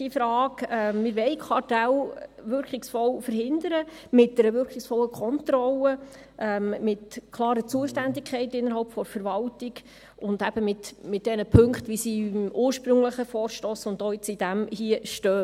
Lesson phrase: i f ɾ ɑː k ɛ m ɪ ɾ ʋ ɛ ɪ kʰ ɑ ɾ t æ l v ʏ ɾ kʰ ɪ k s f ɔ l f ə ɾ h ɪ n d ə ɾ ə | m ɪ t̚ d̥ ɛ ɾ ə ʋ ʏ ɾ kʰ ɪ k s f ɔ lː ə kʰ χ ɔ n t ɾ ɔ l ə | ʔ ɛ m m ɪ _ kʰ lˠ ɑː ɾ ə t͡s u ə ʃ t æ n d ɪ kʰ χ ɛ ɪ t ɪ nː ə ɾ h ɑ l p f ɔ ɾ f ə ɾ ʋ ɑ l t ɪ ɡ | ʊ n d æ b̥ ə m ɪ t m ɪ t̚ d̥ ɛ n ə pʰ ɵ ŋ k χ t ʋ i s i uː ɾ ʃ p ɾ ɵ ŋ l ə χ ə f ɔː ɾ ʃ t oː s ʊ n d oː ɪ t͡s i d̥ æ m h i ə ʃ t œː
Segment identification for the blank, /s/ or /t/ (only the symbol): t